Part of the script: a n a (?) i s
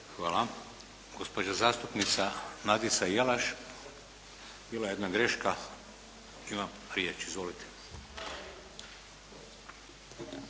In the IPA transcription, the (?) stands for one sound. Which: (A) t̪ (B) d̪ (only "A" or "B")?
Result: B